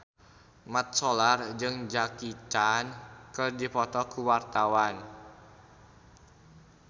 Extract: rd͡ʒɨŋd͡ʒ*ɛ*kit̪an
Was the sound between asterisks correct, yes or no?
no